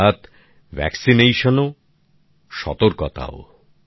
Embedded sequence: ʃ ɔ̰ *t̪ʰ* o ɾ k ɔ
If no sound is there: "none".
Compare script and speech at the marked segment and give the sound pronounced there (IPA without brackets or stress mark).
t̪